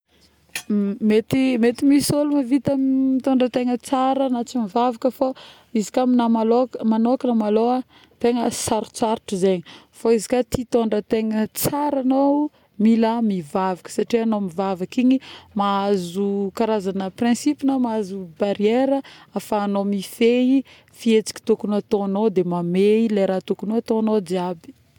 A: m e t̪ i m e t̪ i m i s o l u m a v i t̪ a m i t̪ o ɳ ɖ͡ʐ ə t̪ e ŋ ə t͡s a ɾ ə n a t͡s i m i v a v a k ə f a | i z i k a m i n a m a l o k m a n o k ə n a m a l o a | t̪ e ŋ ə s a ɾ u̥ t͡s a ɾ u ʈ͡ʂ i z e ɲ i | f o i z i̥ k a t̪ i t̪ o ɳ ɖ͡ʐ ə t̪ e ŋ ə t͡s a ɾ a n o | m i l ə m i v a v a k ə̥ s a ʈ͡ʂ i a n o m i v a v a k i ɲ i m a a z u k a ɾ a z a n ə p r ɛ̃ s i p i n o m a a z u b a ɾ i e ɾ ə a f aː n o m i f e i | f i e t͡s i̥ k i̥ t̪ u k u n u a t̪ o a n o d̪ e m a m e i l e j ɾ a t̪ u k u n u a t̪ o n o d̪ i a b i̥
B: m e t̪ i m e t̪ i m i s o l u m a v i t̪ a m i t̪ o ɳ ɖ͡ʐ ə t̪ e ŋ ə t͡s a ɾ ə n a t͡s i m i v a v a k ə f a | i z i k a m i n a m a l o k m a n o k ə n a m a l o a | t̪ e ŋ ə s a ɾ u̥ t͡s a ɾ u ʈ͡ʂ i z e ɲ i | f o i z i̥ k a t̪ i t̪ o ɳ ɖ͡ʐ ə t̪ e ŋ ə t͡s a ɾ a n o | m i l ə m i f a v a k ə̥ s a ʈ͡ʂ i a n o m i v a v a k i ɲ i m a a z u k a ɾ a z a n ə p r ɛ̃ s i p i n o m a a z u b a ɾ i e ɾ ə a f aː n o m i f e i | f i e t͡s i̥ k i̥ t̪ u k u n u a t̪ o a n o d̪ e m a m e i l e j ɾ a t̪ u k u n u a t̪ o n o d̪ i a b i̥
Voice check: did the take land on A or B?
A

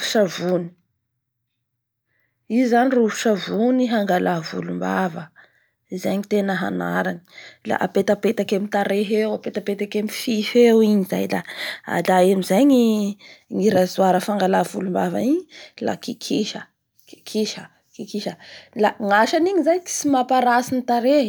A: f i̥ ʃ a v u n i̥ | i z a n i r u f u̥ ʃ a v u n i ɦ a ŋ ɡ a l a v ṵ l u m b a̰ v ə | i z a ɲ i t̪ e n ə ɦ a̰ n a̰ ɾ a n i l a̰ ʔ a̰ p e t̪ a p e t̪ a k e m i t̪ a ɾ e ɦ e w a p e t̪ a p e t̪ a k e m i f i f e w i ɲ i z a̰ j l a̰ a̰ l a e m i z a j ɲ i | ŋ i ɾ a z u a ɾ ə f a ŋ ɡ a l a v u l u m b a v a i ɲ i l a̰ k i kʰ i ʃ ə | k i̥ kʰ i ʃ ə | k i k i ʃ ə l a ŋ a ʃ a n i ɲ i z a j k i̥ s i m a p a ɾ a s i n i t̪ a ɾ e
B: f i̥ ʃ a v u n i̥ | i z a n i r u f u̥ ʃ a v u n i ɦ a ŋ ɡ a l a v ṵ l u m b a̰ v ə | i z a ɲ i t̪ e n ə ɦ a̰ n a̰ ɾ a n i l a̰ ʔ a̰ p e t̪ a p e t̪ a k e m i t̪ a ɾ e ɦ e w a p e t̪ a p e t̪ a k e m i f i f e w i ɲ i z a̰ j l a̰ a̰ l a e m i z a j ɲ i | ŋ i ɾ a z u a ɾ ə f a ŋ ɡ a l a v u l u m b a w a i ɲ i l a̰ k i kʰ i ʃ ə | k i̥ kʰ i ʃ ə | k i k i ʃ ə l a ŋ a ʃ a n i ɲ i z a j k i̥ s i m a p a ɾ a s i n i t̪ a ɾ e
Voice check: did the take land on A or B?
A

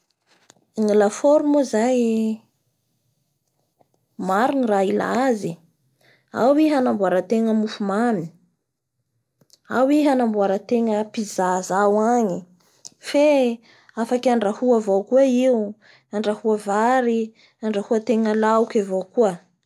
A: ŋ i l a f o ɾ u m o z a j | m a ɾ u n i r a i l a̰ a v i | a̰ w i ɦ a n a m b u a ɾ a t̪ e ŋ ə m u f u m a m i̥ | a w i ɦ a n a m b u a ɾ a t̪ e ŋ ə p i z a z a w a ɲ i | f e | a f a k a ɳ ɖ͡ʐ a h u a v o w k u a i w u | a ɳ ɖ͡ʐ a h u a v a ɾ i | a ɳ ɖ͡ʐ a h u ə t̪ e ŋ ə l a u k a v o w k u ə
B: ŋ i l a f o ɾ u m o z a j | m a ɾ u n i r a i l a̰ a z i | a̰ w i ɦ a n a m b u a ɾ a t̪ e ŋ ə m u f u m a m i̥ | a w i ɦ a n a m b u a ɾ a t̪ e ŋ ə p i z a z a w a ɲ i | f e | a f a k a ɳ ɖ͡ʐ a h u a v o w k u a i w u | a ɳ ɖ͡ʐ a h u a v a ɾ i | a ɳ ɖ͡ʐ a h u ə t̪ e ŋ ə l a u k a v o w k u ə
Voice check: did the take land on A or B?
B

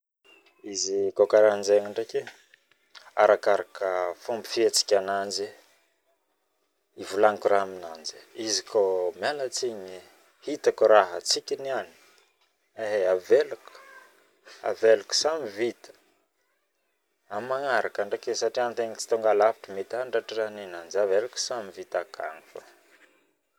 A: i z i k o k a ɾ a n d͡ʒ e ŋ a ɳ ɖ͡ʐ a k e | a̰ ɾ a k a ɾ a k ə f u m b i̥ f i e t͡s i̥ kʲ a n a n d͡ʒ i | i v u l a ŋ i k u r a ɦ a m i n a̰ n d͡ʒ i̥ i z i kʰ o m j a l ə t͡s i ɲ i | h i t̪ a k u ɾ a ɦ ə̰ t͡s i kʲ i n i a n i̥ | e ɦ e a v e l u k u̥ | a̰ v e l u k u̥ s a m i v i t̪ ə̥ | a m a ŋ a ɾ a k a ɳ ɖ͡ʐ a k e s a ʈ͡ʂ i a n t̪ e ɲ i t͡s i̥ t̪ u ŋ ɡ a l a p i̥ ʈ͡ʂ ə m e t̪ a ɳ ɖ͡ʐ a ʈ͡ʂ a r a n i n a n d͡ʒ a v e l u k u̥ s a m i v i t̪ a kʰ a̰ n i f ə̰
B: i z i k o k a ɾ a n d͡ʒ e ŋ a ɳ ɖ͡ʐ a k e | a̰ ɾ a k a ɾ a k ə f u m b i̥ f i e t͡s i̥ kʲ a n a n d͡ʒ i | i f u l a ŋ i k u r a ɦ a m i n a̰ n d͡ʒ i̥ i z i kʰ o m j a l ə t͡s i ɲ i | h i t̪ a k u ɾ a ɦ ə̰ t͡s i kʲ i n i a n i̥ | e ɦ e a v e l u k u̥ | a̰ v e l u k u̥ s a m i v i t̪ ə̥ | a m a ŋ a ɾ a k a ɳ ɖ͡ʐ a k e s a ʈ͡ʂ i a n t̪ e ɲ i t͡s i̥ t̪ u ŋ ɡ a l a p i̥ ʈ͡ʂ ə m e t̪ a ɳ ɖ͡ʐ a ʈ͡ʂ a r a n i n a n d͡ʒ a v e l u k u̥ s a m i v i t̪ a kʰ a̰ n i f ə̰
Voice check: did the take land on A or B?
A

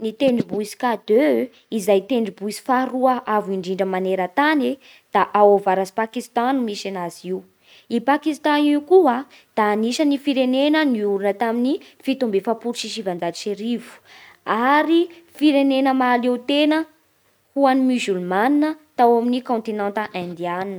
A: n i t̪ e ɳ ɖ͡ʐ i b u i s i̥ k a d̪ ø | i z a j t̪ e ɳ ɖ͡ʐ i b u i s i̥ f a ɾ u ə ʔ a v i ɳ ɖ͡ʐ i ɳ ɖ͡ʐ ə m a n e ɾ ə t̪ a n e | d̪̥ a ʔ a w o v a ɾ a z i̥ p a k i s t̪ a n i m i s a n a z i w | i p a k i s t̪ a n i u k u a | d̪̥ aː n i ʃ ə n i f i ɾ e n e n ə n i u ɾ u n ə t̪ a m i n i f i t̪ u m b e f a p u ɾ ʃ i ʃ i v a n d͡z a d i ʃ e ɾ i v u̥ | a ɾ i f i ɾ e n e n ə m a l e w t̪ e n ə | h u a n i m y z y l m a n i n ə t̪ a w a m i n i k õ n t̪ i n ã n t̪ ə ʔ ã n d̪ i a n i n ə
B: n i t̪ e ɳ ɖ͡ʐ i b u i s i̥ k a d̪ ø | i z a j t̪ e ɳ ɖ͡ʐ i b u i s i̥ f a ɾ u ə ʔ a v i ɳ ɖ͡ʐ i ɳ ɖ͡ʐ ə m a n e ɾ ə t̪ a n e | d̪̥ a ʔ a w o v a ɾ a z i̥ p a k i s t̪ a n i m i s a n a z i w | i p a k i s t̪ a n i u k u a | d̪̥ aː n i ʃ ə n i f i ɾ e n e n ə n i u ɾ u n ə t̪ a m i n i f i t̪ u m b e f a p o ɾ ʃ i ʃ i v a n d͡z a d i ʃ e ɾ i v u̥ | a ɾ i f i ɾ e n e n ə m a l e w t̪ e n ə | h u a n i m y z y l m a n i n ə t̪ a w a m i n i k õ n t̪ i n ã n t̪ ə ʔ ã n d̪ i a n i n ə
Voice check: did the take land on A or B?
A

